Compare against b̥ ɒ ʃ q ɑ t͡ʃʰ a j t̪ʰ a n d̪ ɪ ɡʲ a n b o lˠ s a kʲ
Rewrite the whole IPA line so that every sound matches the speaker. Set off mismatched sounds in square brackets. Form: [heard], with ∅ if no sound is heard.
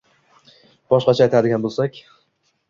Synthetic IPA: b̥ ɒ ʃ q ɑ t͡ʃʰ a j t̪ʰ a [∅] d̪ ɪ ɡʲ a n b o lˠ s a kʲ